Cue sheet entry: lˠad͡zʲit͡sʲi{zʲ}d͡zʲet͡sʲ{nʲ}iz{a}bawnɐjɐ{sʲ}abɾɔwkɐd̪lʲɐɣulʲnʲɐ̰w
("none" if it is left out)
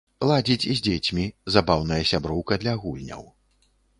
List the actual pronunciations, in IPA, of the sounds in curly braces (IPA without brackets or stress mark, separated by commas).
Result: zʲ, mʲ, a, sʲ